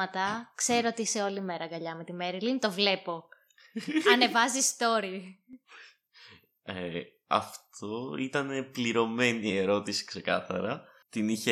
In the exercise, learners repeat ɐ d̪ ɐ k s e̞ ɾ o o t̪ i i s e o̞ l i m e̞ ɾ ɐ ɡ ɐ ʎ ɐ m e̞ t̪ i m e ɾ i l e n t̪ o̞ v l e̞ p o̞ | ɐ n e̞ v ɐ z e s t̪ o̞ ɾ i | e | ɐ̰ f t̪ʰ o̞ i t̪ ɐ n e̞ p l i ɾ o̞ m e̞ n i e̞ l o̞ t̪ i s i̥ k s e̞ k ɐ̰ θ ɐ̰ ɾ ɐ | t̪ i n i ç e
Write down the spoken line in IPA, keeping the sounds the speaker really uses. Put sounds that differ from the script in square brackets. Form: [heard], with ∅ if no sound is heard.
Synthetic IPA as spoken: ɐ [t̪] ɐ k s e̞ ɾ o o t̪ i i s e o̞ l i m e̞ ɾ ɐ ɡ ɐ ʎ ɐ m e̞ t̪ i m e ɾ i l [i] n t̪ o̞ v l e̞ p o̞ | ɐ n e̞ v ɐ z [i] s t̪ o̞ ɾ i | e | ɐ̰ f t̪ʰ o̞ i t̪ ɐ n e̞ p l i ɾ o̞ m e̞ n i e̞ [ɾ] o̞ t̪ i s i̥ k s e̞ k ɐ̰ θ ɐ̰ ɾ ɐ | t̪ i n i ç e